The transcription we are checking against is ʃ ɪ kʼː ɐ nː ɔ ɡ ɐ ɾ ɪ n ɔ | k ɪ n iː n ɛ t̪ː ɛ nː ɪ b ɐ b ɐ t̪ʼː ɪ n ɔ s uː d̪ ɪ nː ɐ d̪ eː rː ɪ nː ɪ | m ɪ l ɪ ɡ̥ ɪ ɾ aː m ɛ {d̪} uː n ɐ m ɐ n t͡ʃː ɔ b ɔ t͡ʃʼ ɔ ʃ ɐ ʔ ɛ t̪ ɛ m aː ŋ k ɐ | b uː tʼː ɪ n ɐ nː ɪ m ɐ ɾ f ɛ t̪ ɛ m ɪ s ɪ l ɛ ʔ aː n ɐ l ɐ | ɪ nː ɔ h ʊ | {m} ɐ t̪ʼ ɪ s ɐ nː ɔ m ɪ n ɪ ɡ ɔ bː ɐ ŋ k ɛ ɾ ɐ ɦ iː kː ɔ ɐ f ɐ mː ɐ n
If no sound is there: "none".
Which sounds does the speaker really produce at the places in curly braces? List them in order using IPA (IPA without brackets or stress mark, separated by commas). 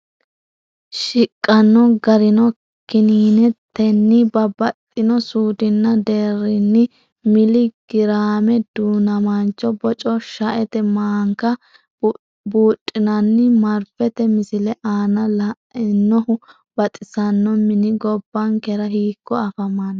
d̪, b